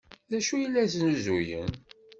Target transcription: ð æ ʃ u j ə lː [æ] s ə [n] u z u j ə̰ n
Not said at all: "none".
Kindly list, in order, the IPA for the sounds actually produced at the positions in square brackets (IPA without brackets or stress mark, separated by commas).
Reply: æ, n